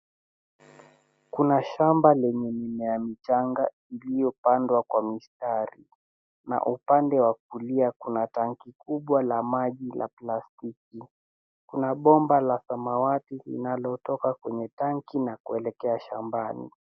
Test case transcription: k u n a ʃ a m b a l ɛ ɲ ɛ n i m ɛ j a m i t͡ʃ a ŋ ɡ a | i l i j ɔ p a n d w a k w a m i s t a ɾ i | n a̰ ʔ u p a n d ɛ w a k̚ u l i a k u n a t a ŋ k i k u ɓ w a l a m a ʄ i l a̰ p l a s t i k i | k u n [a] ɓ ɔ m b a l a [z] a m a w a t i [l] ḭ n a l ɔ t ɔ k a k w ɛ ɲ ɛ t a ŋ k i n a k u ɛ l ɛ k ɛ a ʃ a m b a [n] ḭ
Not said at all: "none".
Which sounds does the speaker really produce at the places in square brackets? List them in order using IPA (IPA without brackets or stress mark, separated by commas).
a, s, l, n